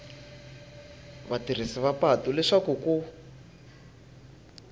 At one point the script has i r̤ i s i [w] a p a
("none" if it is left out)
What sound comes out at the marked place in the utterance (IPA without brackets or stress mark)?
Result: β